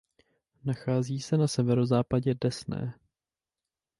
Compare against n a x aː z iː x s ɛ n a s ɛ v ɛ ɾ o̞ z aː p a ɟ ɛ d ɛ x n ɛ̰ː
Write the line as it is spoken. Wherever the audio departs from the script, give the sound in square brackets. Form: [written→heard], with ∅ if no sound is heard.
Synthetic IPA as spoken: n a x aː z iː [x→∅] s ɛ n a s ɛ v ɛ ɾ o̞ z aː p a ɟ ɛ d ɛ [x→s] n ɛ̰ː

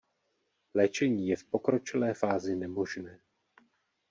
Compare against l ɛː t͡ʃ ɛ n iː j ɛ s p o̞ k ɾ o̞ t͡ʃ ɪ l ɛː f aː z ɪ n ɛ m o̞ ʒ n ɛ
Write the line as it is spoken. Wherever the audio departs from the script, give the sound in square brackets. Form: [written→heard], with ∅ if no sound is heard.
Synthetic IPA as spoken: l ɛː t͡ʃ ɛ [n→ɲ] iː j ɛ [s→f] p o̞ k ɾ o̞ t͡ʃ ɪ l ɛː f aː z ɪ n ɛ m o̞ ʒ n [ɛ→ɛː]

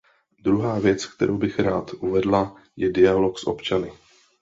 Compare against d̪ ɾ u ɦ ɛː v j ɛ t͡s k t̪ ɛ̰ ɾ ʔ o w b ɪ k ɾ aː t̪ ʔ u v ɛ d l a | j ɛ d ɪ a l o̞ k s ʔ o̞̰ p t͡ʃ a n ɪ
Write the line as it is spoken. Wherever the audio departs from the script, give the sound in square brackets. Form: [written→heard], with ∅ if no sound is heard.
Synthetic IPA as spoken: d̪ ɾ u ɦ [ɛː→aː] v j ɛ t͡s k t̪ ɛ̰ ɾ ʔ o w b ɪ [k→x] ɾ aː t̪ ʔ u v ɛ d l a | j ɛ d ɪ a l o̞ k s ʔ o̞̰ p t͡ʃ a n ɪ

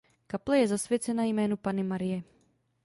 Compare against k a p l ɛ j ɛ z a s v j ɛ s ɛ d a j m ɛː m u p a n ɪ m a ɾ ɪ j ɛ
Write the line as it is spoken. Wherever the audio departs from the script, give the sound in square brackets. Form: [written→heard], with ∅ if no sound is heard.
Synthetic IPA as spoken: k a p l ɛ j ɛ z a s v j ɛ [s→t͡s] ɛ [d→n] a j m ɛː [m→n] u p a n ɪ m a ɾ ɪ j ɛ

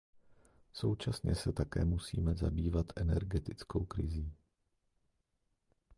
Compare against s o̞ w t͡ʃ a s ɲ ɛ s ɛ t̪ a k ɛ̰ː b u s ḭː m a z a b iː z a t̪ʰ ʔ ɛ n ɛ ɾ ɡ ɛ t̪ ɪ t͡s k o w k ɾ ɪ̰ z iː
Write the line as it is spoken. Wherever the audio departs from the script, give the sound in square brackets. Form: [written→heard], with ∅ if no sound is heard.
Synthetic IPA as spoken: s o̞ w t͡ʃ a s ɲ ɛ s ɛ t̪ a k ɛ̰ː [b→m] u s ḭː m [a→ɛ] z a b iː [z→v] a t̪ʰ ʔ ɛ n ɛ ɾ ɡ ɛ t̪ ɪ t͡s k o w k ɾ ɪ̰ z iː

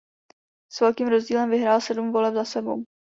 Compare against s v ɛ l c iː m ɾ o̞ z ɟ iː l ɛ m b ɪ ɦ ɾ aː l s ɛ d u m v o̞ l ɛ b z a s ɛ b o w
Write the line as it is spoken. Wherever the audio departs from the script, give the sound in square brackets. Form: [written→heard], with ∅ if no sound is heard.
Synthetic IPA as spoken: s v ɛ l [c→k] iː m ɾ o̞ z ɟ iː l ɛ m [b→v] ɪ ɦ ɾ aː l s ɛ d u m v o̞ l ɛ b z a s ɛ b o w

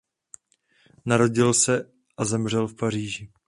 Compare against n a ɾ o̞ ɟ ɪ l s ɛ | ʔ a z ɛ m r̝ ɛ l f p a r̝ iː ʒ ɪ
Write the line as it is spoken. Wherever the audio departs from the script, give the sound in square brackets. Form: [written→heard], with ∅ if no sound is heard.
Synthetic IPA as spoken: n a ɾ o̞ ɟ ɪ l s ɛ | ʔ a z ɛ m r̝ ɛ l f p a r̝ iː ʒ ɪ

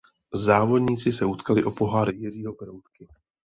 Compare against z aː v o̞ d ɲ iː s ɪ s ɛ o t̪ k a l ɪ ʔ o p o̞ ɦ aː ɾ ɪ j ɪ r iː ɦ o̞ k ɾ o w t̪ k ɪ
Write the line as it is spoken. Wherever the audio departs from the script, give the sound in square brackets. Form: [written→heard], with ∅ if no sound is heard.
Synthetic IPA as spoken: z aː v o̞ d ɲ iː [s→t͡s] ɪ s ɛ [o→u] t̪ k a l ɪ ʔ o p o̞ ɦ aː ɾ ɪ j ɪ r iː ɦ o̞ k ɾ o w t̪ k ɪ

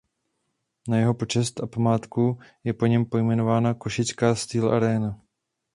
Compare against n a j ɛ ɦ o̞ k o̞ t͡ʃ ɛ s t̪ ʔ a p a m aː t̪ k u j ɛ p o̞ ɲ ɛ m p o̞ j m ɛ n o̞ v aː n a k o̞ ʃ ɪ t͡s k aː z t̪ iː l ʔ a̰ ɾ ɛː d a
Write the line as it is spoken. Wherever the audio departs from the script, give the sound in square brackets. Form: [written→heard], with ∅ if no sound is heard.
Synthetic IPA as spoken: n a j ɛ ɦ o̞ [k→p] o̞ t͡ʃ ɛ s t̪ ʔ a p a m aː t̪ k u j ɛ p o̞ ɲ ɛ m p o̞ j m ɛ n o̞ v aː n a k o̞ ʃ ɪ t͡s k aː [z→s] t̪ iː l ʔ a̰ ɾ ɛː [d→n] a

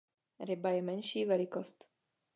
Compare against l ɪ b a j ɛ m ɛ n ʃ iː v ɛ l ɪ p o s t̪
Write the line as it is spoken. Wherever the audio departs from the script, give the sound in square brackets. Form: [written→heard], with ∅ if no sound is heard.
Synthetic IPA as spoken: [l→ɾ] ɪ b a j ɛ m ɛ n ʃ iː v ɛ l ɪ [p→k] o s t̪

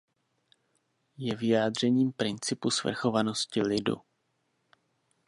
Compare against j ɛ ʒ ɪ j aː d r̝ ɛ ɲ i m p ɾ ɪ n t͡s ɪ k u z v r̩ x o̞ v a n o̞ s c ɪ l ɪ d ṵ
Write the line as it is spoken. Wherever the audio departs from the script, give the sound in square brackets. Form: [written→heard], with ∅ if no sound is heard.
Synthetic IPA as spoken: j ɛ [ʒ→v] ɪ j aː d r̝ ɛ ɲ [i→iː] m p ɾ ɪ n t͡s ɪ [k→p] u [z→s] v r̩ x o̞ v a n o̞ s c ɪ l ɪ d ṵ

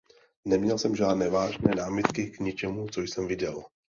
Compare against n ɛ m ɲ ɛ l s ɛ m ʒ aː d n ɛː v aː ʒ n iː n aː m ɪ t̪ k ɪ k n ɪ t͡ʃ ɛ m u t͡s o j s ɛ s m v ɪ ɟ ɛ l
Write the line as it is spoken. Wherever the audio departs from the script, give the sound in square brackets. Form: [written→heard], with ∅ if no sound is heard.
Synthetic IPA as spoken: n ɛ m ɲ ɛ l s ɛ m ʒ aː d n ɛː v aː ʒ n [iː→ɛː] n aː m ɪ t̪ k ɪ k [n→ɲ] ɪ t͡ʃ ɛ m u t͡s o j s ɛ [s→∅] m v ɪ ɟ ɛ l

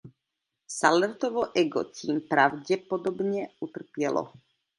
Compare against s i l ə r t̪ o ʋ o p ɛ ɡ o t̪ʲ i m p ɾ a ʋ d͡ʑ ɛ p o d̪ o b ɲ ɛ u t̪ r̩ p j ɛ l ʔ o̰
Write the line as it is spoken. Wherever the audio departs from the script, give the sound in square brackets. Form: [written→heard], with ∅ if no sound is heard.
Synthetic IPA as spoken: s [i→a] l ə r t̪ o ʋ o [p→ʔ] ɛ ɡ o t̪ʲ i m p ɾ a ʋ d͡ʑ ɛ p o d̪ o b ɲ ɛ u t̪ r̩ p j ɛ l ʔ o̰

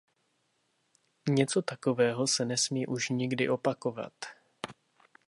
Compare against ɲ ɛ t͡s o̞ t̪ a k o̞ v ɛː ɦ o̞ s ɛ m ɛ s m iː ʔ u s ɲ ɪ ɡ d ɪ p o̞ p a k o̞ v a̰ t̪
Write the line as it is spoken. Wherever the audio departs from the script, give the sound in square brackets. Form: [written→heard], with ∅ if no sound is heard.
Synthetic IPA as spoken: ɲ ɛ t͡s o̞ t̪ a k o̞ v ɛː ɦ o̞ s ɛ [m→n] ɛ s m iː ʔ u [s→ʃ] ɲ ɪ ɡ d ɪ [p→ʔ] o̞ p a k o̞ v a̰ t̪

